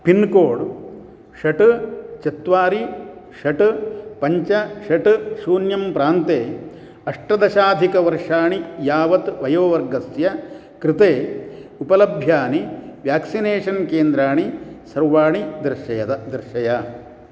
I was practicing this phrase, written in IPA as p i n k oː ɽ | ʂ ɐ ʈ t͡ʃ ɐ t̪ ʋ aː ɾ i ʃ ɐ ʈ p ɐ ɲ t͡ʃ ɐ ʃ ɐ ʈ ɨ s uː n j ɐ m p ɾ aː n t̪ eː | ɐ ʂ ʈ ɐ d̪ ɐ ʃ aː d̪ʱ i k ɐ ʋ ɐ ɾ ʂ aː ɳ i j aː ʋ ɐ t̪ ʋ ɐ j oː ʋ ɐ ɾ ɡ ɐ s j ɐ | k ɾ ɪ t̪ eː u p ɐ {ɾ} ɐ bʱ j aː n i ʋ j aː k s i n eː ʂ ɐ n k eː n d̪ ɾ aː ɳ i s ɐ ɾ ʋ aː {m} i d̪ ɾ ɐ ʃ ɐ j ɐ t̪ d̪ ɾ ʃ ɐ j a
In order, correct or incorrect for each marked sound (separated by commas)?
incorrect, incorrect